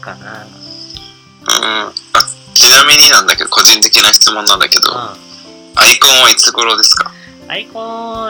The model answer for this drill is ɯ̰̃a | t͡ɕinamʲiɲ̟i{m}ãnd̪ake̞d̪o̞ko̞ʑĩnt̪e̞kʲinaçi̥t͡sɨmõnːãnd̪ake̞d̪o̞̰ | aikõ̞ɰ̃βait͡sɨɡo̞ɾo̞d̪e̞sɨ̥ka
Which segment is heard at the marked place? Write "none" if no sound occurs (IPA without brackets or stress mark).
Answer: n